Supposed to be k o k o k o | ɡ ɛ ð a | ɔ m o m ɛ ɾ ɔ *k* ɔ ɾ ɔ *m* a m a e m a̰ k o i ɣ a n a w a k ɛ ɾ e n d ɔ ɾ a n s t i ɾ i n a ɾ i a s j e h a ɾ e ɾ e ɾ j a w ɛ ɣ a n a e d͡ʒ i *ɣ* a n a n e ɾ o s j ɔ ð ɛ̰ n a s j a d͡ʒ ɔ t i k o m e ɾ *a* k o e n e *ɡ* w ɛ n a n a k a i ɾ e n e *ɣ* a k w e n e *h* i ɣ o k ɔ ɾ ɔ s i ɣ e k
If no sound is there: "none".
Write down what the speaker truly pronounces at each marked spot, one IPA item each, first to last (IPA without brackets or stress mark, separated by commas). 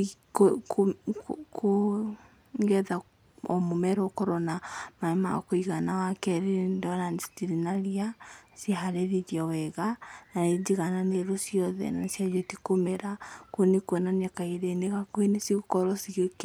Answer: k, n, ɣ, a, k, ɣ, s